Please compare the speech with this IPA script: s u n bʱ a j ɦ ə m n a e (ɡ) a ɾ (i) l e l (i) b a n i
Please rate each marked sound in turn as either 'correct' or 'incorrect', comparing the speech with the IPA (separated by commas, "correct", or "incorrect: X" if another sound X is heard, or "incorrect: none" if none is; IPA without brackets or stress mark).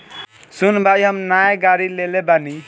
correct, correct, incorrect: e